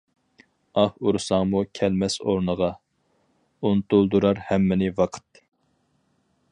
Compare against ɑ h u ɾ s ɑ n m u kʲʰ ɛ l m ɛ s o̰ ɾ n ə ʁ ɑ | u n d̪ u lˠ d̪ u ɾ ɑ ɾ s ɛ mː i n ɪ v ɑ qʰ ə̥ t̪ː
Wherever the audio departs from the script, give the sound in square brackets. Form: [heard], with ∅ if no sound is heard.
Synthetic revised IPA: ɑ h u ɾ s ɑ [ŋ] m u kʲʰ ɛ l m ɛ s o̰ ɾ n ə ʁ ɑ | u n [t̪] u lˠ d̪ u ɾ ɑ ɾ [h] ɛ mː [ɪ] n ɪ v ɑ qʰ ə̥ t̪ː